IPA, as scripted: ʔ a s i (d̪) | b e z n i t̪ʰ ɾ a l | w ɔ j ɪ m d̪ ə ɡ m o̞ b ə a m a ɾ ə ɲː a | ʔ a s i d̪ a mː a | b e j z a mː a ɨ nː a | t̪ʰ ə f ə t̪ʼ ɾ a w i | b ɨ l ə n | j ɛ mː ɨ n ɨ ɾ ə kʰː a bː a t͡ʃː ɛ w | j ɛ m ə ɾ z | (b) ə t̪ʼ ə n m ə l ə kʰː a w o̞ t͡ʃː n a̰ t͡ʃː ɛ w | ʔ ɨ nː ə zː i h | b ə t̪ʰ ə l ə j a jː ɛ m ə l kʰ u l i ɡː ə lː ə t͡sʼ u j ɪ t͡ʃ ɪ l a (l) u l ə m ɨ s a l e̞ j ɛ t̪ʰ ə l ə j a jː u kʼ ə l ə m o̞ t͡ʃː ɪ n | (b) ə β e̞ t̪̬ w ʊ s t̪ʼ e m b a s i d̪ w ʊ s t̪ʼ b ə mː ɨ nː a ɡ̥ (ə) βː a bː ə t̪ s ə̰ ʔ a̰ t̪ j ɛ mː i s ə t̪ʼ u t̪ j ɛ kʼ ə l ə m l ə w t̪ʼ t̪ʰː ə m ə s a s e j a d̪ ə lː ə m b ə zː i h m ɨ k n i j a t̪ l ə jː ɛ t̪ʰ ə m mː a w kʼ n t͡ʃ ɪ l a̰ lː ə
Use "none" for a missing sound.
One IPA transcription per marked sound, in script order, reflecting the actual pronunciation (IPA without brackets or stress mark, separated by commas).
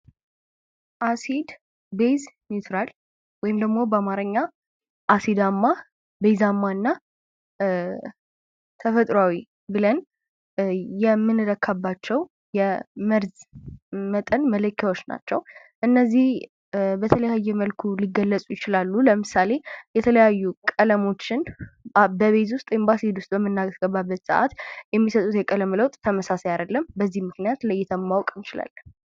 d̪, m, lː, b, ə